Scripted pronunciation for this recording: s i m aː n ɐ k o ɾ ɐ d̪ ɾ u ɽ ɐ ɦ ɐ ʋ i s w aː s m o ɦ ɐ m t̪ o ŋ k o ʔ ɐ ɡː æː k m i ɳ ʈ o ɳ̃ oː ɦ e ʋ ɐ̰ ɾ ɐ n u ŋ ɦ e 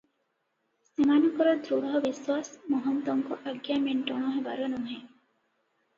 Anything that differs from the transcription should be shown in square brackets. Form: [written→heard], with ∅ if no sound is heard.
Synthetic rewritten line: s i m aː n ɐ k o ɾ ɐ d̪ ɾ u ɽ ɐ ɦ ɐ ʋ i s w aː s m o ɦ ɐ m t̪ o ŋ k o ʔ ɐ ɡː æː [k→∅] m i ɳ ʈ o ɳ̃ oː ɦ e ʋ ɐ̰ ɾ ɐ n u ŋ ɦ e